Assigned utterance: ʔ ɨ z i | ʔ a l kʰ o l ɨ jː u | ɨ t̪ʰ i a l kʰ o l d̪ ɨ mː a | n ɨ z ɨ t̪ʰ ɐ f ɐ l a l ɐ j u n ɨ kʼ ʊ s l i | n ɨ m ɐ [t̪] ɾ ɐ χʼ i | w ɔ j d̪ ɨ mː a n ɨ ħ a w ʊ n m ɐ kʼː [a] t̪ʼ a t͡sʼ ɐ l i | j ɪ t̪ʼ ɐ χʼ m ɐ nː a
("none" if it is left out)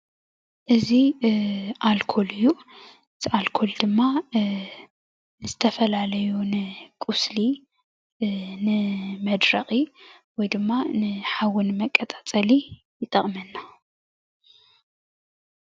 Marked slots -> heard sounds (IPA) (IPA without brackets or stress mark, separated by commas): d̪, ɐ